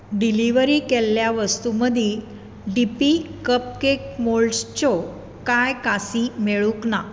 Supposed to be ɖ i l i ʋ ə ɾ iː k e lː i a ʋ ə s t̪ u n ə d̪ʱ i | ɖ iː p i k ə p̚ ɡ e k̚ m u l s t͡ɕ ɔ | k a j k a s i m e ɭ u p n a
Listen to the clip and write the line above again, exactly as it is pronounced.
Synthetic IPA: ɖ i l i ʋ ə ɾ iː k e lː j a ʋ ə s t̪ u m ə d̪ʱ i | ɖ i p i k ə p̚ k e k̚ m o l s t͡ɕ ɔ | k a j k a s i m e ɭ u k n a